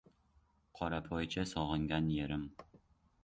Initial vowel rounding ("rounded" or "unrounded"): rounded